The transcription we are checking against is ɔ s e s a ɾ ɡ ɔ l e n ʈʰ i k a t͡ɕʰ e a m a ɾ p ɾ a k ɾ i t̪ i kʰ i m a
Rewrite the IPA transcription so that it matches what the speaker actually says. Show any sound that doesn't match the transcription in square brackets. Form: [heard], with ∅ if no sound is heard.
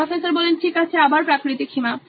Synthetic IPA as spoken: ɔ [f] e s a ɾ [b] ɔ l e n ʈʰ i k a t͡ɕʰ e a [b] a ɾ p ɾ a k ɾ i t̪ i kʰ i m a